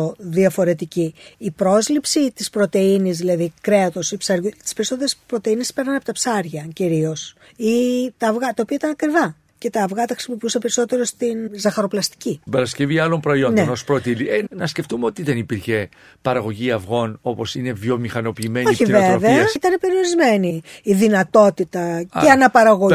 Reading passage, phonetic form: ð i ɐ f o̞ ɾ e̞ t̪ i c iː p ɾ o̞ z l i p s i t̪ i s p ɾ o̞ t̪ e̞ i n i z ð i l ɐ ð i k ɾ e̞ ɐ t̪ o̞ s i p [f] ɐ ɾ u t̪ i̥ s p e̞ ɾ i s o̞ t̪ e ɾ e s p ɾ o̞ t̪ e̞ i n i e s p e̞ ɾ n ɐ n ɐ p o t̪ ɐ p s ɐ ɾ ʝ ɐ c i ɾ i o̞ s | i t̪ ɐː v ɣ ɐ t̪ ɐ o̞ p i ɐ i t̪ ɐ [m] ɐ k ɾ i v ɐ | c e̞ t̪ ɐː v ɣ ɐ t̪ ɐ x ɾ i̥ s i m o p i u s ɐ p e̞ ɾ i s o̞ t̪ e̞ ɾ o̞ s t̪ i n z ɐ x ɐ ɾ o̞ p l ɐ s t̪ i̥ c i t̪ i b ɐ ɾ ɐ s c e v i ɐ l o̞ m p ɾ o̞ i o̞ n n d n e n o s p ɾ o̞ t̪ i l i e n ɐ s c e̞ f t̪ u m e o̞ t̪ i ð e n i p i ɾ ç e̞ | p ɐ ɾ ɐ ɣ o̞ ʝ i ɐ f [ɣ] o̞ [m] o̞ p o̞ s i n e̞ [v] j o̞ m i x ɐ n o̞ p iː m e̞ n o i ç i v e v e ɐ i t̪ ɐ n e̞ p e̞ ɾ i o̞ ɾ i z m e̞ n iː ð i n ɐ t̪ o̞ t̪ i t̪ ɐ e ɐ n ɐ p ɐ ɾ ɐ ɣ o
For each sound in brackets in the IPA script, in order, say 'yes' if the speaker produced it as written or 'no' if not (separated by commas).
no, no, yes, no, yes